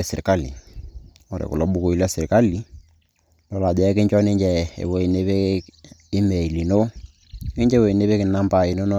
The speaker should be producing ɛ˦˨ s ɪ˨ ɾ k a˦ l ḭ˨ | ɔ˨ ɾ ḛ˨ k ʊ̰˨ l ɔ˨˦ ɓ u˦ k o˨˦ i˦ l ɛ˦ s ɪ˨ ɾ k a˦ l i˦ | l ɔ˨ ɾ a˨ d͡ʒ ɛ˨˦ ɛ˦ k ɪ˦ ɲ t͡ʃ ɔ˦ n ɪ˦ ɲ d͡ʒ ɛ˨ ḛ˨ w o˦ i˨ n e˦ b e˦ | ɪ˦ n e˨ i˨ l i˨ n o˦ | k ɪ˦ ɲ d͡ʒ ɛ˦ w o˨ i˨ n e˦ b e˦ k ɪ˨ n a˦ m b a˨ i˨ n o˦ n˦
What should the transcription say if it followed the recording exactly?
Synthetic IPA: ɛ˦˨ s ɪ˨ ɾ k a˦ l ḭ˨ | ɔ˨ ɾ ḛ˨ k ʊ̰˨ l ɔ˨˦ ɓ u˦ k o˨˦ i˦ l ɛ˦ s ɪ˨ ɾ k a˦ l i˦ | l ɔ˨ l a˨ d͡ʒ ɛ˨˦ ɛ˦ k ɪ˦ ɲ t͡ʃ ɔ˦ n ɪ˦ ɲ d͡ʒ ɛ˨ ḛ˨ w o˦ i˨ n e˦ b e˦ | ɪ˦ m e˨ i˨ l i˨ n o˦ | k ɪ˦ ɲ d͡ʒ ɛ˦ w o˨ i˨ n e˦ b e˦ k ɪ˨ n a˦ m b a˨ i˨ n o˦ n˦